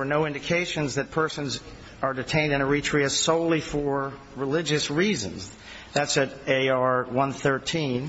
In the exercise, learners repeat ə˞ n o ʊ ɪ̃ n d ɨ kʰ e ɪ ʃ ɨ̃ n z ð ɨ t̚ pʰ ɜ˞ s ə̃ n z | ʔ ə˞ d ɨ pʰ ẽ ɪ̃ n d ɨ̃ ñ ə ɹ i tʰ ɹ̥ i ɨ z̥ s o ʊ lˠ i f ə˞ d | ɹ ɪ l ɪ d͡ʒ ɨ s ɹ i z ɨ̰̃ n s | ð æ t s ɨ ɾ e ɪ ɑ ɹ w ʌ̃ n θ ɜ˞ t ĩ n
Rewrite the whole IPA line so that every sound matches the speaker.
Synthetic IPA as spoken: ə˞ n o ʊ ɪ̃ n d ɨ kʰ e ɪ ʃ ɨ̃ n z ð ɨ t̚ pʰ ɜ˞ s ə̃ n z | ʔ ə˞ d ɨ tʰ ẽ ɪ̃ n d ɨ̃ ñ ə ɹ i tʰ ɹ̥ i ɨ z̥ s o ʊ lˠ i f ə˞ | ɹ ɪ l ɪ d͡ʒ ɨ s ɹ i z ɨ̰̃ n z | ð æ t s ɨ ɾ e ɪ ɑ ɹ w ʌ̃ n θ ɜ˞ tʰ ĩ n